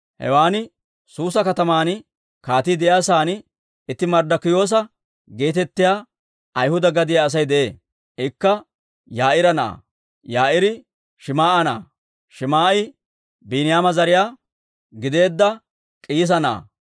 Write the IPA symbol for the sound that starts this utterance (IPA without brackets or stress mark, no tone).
h